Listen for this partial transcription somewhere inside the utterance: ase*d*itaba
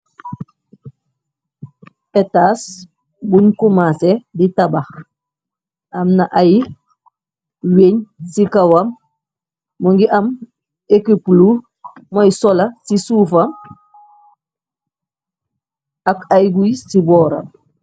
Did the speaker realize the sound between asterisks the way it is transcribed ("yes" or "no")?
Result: yes